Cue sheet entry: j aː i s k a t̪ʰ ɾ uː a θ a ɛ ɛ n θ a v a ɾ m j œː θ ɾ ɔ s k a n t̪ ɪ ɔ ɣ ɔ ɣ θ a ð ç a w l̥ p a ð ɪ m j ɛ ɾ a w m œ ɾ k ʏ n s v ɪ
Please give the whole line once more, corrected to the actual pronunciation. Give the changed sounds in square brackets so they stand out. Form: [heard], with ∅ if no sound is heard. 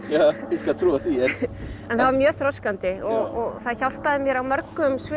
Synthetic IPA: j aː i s k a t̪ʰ ɾ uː a θ [i] ɛ ɛ n θ a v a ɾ m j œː θ ɾ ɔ s k a n t̪ ɪ ɔ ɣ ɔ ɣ θ a ð ç a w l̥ p a ð ɪ m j ɛ ɾ a w m œ ɾ k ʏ [m] s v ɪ